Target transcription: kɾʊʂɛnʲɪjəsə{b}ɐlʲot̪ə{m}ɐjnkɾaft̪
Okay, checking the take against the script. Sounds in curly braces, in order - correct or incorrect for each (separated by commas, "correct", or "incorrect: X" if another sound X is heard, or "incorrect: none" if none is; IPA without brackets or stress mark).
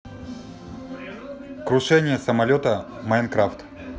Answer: incorrect: m, correct